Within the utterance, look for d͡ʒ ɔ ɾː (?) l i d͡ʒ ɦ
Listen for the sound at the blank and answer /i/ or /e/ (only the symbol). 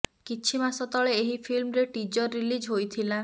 i